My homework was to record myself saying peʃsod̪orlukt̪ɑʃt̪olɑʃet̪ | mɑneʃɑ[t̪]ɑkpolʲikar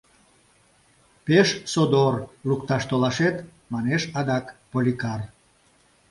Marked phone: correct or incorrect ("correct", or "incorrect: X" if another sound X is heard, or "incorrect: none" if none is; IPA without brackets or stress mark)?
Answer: incorrect: d̪